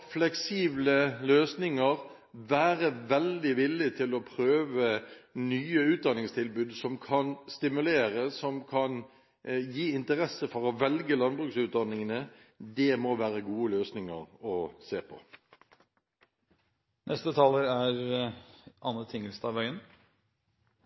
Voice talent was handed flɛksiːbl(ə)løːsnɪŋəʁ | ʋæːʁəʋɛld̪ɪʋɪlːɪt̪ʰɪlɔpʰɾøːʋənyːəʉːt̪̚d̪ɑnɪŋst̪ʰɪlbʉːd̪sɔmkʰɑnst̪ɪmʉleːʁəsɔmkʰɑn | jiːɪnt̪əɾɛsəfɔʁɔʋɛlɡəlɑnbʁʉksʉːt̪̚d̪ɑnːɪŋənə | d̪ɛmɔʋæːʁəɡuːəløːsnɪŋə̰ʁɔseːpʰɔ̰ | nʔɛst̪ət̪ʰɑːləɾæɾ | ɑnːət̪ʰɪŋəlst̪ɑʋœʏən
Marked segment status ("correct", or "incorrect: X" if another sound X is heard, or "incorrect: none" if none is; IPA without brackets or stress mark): correct